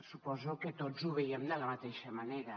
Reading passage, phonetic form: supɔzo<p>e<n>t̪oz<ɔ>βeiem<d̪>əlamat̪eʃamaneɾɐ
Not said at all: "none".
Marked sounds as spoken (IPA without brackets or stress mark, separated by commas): k, none, u, d̪